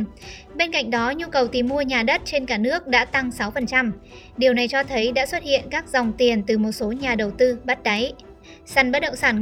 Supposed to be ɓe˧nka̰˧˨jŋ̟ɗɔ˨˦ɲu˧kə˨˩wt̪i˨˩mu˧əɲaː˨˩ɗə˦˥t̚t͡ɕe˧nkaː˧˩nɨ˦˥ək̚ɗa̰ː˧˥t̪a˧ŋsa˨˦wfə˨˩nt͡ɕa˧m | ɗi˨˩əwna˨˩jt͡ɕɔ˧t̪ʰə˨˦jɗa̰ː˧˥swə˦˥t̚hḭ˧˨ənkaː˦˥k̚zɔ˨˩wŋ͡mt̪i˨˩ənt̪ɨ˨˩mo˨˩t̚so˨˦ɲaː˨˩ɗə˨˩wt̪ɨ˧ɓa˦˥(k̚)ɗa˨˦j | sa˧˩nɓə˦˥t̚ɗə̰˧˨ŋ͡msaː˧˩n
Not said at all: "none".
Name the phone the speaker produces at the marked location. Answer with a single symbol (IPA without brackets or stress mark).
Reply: t̚